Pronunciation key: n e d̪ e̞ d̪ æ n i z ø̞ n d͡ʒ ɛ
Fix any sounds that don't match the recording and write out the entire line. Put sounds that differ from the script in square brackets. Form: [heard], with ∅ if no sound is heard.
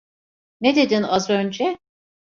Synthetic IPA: n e d̪ e̞ d̪ [i] n [a] z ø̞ n d͡ʒ ɛ